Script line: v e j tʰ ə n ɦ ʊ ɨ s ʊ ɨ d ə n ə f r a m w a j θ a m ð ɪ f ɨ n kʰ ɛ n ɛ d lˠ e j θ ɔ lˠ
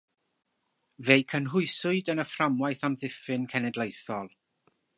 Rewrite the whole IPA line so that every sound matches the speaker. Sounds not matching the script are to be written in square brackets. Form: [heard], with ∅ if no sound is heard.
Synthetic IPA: v e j [kʰ] ə n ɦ ʊ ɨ s ʊ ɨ d ə n ə f r a m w a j θ a m ð ɪ f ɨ n kʰ ɛ n ɛ d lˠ e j θ ɔ lˠ